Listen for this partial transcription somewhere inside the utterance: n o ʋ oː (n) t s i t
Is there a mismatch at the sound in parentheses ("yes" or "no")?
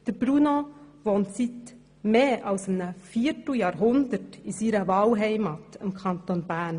no